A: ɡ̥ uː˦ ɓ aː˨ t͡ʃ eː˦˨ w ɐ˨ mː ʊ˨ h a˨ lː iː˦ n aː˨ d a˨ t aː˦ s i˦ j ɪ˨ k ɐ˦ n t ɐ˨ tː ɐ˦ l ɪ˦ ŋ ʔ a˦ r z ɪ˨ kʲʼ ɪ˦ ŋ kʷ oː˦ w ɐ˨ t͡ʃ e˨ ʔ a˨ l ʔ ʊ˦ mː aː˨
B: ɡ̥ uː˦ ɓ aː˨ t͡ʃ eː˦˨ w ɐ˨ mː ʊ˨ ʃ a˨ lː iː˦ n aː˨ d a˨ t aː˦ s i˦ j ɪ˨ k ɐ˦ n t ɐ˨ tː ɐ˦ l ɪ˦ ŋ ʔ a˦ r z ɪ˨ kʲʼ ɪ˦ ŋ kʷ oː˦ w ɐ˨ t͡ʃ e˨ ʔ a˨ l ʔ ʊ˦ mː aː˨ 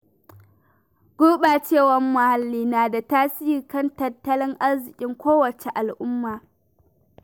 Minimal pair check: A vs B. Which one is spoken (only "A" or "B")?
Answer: A